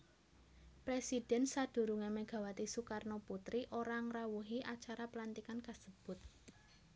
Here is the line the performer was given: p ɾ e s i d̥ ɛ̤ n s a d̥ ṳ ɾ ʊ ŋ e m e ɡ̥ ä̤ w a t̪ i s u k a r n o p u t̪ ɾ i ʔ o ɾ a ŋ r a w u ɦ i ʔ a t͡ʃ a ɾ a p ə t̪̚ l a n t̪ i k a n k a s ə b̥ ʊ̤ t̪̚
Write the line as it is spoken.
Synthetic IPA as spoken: p ɾ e s i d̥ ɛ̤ n s a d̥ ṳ ɾ u ŋ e m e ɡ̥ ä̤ w a t̪ i s u k a r n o p u t̪ ɾ i ʔ o ɾ a ŋ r a w u ɦ i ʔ a t͡ʃ a ɾ a p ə l a n t̪ i k a n k a s ə b̥ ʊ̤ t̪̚